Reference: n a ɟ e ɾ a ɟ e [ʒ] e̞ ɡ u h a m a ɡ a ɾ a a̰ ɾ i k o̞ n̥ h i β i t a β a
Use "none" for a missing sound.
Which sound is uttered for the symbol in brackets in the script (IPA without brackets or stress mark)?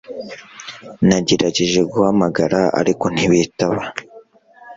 ʒ